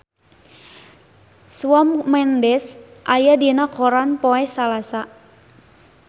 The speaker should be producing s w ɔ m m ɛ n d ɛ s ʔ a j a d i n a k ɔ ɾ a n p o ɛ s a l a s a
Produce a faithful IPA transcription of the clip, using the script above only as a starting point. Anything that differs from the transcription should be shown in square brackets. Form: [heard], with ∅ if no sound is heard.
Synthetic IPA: s w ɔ m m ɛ n d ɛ s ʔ a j a d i n a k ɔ ɾ a n p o ɛ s a l a s a